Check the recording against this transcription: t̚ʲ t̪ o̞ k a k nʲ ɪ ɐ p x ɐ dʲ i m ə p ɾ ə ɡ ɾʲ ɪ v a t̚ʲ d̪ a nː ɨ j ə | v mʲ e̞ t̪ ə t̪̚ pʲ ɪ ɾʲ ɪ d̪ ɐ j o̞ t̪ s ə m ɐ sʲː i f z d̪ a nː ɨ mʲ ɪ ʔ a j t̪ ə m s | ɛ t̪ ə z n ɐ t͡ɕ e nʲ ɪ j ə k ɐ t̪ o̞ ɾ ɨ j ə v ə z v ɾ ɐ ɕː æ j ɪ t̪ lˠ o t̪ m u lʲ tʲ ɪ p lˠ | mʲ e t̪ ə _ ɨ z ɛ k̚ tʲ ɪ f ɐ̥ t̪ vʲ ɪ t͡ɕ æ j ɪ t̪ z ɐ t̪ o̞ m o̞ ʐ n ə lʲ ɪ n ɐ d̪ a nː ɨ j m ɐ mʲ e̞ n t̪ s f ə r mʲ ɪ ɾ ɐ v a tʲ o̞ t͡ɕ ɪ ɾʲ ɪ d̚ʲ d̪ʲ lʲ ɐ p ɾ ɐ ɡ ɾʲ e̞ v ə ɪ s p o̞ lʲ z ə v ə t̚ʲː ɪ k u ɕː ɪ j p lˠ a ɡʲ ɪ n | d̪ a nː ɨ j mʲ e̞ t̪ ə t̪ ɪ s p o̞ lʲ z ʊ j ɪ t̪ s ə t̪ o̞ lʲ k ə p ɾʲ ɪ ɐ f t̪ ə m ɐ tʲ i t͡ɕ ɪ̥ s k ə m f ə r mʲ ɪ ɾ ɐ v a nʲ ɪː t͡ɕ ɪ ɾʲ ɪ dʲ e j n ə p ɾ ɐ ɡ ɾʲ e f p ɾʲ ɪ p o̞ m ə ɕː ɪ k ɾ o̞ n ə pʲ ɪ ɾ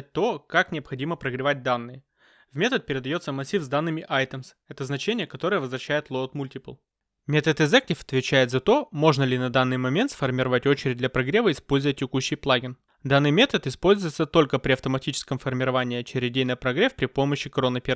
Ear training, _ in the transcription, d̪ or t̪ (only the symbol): t̪